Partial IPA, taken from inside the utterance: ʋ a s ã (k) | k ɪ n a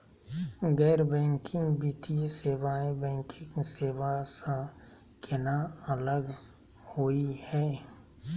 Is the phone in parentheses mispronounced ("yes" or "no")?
yes